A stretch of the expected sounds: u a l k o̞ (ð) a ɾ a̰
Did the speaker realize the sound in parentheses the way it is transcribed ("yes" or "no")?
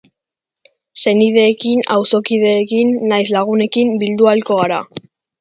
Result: no